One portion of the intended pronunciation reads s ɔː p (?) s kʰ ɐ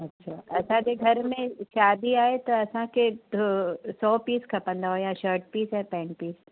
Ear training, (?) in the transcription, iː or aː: iː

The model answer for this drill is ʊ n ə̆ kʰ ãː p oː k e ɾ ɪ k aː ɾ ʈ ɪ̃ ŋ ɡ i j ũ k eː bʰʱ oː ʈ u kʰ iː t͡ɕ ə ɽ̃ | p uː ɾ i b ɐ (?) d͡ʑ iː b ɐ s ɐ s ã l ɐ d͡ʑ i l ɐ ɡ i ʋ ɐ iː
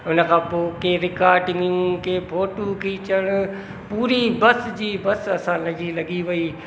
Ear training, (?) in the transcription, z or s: s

